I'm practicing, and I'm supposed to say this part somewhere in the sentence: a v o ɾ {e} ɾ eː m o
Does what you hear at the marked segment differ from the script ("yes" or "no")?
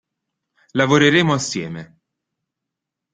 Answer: no